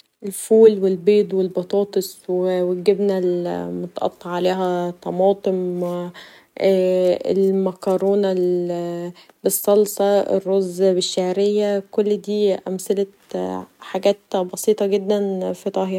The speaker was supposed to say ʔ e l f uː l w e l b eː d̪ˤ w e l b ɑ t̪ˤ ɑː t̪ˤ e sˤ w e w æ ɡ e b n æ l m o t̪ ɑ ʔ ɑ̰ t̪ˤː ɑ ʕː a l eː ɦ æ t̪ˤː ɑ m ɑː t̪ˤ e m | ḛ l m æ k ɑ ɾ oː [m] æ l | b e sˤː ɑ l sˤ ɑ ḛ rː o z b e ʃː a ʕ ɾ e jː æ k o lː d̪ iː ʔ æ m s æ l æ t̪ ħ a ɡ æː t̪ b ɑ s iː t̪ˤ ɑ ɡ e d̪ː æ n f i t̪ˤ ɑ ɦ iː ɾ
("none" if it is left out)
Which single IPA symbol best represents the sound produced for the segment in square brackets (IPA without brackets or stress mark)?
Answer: n